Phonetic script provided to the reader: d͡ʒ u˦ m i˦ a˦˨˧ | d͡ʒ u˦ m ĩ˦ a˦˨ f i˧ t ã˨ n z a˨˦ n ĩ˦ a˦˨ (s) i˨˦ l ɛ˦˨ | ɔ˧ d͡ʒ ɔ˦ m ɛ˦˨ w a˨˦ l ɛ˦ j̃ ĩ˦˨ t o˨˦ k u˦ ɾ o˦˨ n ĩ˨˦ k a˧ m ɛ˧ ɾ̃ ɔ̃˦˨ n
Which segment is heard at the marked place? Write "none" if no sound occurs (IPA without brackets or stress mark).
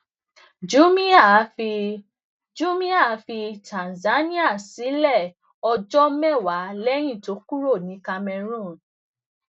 s